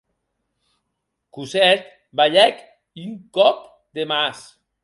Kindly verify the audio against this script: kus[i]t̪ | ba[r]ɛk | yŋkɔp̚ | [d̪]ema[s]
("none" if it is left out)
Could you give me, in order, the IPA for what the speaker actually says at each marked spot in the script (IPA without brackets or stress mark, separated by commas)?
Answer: ɛ, ʎ, d̪, s